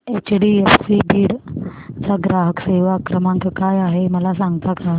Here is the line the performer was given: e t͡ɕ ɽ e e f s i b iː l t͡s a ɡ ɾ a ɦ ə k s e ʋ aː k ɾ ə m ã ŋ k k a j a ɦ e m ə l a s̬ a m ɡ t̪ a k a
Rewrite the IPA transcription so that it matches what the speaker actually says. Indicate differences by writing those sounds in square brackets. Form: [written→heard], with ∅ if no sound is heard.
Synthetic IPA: e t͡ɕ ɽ [e→i] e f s i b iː [l→ɽ] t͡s a ɡ ɾ a ɦ ə k s e ʋ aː k ɾ ə m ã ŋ k k a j a ɦ e m ə l a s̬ a [m→ŋ] ɡ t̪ a k a